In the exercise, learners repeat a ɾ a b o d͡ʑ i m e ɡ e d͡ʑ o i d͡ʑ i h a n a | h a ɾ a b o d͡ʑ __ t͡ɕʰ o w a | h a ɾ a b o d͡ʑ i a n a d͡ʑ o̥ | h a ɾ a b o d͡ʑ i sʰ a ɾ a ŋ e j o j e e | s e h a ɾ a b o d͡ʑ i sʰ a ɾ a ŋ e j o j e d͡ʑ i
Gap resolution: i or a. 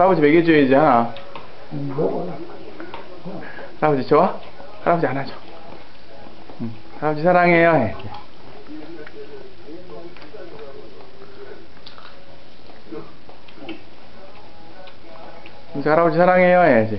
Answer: i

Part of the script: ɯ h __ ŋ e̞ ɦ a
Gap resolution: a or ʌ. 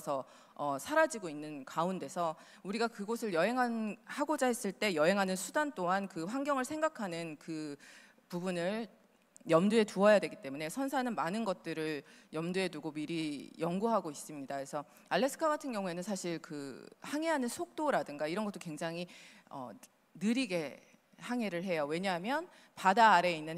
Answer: a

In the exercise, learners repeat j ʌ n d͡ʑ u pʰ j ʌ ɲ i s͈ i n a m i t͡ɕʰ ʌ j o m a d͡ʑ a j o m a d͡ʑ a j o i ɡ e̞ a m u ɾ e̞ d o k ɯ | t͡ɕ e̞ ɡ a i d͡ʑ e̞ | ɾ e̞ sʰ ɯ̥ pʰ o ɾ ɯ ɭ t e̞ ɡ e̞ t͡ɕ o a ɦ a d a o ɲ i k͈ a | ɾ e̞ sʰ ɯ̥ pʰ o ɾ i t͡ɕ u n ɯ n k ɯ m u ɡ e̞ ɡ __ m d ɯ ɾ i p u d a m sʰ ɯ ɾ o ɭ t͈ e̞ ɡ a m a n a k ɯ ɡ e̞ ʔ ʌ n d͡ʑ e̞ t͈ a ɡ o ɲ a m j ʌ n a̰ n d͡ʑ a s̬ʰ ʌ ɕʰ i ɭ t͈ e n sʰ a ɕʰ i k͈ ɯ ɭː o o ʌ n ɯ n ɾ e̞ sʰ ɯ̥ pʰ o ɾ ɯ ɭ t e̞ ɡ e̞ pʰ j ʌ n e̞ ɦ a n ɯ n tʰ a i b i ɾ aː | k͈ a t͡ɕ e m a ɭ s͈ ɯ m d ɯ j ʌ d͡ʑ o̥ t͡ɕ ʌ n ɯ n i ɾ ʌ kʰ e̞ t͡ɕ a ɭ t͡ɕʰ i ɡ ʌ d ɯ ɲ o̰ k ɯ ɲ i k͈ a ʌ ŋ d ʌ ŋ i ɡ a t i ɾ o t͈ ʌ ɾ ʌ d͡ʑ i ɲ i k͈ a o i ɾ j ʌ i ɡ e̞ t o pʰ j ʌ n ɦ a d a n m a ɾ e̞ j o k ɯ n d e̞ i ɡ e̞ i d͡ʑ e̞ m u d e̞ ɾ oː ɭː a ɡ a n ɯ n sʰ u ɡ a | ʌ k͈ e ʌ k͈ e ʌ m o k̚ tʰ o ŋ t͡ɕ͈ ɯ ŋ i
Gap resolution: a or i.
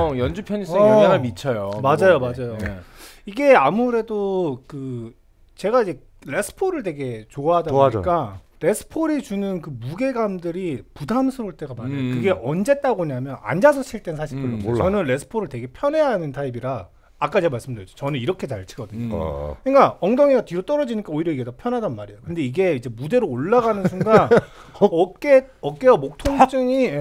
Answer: a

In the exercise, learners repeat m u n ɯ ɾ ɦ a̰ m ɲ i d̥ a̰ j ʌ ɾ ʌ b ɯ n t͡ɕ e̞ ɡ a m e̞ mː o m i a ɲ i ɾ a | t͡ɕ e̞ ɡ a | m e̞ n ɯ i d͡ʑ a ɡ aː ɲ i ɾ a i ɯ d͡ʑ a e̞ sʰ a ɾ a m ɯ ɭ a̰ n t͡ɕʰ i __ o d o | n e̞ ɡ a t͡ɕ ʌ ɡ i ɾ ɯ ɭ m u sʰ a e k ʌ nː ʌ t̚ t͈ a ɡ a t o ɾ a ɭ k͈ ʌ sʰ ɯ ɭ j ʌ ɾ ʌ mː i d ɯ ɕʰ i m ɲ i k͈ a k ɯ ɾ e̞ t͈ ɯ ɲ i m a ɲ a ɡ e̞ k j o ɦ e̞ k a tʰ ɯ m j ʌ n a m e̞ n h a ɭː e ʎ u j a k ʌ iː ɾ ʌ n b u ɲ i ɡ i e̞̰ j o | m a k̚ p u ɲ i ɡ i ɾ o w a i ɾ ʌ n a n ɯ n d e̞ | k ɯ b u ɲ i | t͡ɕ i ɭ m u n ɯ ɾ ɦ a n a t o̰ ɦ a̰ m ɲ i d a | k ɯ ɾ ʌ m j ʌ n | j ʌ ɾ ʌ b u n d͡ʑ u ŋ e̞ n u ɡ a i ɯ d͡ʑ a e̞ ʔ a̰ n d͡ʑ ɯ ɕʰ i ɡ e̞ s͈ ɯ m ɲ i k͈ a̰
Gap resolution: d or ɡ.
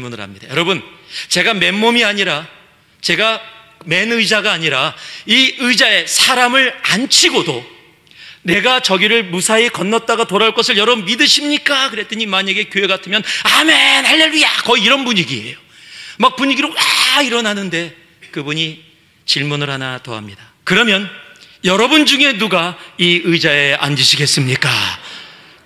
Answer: ɡ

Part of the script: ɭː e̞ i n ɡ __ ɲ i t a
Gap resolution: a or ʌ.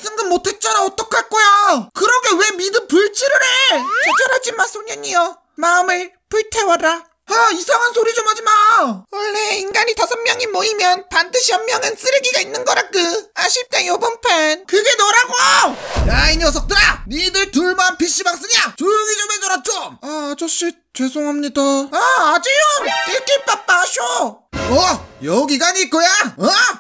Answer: a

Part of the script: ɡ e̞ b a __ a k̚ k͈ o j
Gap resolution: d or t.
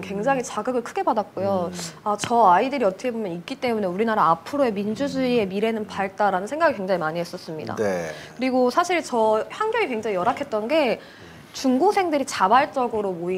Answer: d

